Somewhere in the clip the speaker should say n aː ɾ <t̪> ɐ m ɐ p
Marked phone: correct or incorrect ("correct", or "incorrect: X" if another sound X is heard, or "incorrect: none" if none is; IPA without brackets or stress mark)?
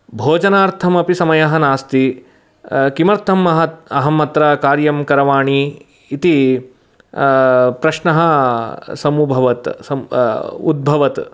incorrect: t̪ʰ